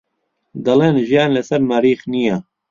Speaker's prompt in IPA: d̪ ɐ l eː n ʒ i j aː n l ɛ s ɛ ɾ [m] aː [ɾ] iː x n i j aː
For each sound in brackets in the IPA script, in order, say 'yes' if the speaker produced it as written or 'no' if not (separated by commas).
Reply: yes, yes